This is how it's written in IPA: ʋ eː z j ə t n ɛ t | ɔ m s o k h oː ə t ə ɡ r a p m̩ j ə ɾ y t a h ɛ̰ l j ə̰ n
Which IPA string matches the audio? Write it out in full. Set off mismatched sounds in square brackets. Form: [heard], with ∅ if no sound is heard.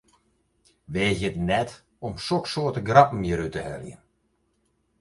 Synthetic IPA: ʋ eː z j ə t n ɛ t | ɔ m s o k [s] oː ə t ə ɡ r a p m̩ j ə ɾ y t [ə] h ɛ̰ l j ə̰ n

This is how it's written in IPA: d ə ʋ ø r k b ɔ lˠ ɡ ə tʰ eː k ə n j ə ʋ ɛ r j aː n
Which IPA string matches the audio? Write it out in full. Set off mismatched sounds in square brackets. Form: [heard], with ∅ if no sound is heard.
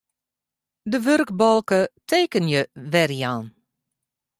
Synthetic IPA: d ə ʋ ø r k b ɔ lˠ [k] ə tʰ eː k ə n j ə ʋ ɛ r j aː n

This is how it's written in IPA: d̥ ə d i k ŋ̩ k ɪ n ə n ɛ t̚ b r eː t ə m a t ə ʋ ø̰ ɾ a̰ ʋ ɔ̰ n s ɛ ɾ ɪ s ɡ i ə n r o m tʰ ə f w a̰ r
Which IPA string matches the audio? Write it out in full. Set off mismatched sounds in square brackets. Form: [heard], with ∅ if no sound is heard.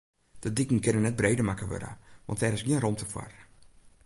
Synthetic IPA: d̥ ə d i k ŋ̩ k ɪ n ə n ɛ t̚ b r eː [d] ə m a [k] ə ʋ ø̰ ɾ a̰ ʋ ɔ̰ n [t] ɛ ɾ ɪ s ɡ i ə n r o m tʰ ə f w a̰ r

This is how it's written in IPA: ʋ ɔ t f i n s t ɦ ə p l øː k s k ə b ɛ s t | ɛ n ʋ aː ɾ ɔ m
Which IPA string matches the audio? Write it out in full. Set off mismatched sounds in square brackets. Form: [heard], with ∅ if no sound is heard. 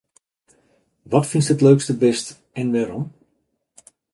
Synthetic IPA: ʋ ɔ t f i n s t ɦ ə [t] l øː k s [t] ə b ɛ s t | ɛ n ʋ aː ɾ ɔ m

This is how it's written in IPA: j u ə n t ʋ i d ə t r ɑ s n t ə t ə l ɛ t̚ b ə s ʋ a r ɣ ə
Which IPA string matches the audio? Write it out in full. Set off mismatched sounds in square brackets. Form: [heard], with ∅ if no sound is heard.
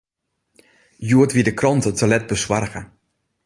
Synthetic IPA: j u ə [∅] t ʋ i d ə [k] r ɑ [∅] n t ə t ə l ɛ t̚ b ə s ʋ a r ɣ ə

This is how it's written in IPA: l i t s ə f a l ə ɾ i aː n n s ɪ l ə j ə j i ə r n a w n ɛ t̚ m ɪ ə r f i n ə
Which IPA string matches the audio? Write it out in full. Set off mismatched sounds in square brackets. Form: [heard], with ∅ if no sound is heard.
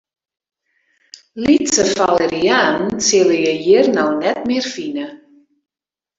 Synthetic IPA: l i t s ə f a l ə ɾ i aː n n s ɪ l ə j ə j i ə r n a w n ɛ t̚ m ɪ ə r f i n ə

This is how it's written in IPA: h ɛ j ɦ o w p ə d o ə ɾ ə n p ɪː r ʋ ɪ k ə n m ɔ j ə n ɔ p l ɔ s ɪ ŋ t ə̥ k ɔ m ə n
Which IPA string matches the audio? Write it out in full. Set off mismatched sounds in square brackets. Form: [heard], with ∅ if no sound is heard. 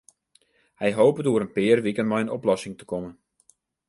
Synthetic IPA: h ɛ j ɦ o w p ə d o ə ɾ ə n p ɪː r ʋ [i] k ə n m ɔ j ə n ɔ p l ɔ s ɪ ŋ t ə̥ k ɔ m ə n

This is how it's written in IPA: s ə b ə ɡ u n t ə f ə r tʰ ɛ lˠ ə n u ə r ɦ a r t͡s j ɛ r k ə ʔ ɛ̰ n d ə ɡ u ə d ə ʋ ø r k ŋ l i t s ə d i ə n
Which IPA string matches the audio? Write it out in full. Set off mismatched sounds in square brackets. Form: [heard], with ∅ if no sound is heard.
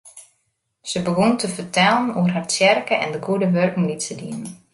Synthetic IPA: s ə b ə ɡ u n t ə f ə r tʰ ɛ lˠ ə n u ə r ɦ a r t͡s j ɛ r k ə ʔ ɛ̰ n d ə ɡ u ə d ə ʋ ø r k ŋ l i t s ə d i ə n

